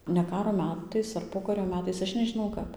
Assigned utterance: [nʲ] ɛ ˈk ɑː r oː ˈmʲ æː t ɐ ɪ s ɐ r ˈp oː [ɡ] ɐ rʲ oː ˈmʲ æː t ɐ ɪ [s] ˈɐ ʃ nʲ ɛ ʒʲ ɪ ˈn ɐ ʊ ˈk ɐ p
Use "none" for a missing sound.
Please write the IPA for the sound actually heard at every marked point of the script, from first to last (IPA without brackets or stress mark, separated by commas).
nʲ, k, s